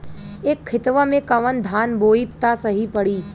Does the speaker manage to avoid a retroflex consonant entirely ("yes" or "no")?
no